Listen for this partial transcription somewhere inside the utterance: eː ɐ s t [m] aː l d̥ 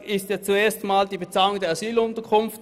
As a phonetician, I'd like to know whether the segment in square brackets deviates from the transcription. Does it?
no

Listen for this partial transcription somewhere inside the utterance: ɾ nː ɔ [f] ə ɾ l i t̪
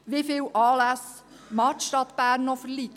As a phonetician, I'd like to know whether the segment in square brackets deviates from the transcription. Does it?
no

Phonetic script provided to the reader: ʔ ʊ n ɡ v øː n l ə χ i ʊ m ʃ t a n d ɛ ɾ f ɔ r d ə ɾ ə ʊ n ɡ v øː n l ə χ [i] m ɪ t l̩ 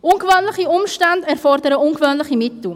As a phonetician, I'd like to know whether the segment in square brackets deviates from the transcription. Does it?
no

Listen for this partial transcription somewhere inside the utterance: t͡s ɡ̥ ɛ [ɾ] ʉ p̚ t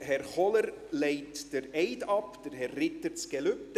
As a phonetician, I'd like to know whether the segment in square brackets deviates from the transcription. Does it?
yes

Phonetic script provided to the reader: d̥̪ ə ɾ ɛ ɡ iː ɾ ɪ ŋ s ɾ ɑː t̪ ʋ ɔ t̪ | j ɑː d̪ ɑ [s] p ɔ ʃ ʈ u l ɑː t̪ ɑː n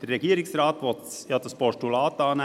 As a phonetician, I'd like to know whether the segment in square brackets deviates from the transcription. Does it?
no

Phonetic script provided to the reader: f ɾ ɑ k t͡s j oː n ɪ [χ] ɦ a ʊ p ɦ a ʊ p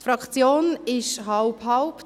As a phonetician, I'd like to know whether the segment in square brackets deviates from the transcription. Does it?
yes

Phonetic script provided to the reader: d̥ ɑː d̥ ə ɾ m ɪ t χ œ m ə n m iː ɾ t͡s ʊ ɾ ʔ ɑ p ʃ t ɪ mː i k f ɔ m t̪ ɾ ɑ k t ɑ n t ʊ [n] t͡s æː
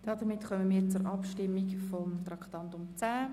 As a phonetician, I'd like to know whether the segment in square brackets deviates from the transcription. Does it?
yes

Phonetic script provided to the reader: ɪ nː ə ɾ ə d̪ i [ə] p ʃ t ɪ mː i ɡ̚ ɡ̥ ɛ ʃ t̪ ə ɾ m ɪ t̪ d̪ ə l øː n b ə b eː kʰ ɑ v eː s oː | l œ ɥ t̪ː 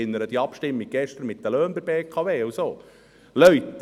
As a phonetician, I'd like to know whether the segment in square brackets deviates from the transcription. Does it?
yes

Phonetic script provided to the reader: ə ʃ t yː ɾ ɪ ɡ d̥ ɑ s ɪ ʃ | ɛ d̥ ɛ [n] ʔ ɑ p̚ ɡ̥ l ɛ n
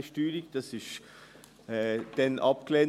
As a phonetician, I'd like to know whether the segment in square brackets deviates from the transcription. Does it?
no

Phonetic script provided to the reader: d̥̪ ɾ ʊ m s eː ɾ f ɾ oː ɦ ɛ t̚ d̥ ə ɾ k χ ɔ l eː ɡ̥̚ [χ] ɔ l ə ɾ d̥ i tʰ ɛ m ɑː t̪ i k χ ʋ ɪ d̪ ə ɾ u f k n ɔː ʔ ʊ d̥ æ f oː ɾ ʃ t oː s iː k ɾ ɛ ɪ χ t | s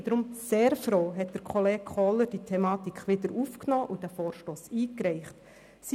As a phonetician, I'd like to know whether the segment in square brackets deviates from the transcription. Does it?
no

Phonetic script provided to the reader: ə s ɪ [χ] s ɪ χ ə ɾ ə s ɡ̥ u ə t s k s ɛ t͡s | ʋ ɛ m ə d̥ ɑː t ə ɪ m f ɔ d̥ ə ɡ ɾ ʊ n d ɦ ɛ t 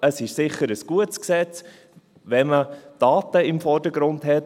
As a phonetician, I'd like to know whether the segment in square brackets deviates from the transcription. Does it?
yes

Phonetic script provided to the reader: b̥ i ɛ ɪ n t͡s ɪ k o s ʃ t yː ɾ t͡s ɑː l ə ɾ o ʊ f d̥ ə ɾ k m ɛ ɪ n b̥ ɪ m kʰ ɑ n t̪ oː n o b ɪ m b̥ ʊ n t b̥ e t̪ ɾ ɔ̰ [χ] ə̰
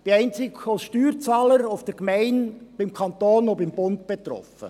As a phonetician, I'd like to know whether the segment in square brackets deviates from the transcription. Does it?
yes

